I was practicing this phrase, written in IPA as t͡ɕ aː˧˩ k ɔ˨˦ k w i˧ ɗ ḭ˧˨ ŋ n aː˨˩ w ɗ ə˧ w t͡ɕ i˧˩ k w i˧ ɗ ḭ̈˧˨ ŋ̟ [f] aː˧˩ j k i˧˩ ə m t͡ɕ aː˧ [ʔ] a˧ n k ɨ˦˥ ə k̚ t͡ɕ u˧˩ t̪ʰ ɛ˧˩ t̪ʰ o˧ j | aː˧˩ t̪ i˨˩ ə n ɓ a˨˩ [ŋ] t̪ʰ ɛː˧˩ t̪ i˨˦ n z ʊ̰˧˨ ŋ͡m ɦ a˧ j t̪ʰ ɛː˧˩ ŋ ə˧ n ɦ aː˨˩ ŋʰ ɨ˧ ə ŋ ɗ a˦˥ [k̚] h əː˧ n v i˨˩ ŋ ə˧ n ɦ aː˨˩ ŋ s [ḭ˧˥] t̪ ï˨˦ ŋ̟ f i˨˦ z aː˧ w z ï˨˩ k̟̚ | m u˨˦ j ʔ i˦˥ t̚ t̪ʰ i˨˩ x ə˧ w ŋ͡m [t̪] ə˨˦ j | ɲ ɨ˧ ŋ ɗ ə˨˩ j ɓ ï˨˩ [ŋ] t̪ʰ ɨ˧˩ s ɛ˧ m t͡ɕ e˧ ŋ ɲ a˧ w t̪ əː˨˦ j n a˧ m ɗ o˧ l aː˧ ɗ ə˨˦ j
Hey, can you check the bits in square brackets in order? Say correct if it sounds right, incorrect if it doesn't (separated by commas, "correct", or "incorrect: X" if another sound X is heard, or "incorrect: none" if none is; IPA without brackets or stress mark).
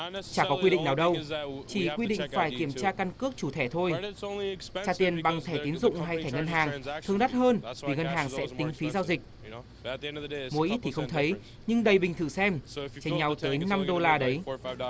correct, incorrect: k, correct, incorrect: t̚, incorrect: ɛ̰˧˥, incorrect: t̪ʰ, correct